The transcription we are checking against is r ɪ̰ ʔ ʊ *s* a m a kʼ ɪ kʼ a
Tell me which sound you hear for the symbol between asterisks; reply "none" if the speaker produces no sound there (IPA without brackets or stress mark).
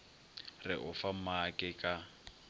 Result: f